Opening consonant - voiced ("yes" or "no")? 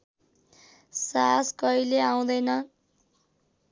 no